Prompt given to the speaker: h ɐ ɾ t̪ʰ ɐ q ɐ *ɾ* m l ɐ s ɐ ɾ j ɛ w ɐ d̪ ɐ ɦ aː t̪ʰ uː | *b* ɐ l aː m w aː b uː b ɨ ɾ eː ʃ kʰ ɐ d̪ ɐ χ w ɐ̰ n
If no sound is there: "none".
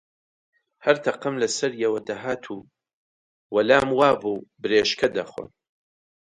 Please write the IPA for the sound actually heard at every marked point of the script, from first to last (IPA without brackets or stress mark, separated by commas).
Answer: none, w